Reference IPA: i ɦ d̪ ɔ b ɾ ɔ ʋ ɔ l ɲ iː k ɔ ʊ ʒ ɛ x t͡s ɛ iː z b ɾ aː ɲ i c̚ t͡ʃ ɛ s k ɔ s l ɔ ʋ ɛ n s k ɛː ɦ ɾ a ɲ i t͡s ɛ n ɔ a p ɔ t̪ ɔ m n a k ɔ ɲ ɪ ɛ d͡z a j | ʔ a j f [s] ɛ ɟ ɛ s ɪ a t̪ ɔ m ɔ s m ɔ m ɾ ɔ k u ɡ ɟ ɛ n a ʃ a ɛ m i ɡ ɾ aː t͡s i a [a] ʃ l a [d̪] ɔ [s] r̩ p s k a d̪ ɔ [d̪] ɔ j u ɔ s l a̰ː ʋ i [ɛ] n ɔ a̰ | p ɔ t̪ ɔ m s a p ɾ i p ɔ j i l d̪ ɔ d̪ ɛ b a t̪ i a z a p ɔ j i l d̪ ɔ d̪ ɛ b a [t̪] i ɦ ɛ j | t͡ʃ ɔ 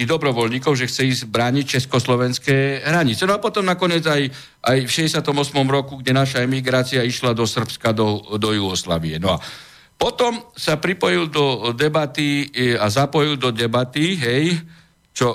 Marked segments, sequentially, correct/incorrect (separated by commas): incorrect, incorrect, correct, correct, correct, correct, correct